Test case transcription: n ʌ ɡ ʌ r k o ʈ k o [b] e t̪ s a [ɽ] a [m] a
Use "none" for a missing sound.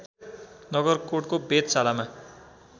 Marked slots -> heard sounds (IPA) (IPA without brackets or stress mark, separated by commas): b, l, m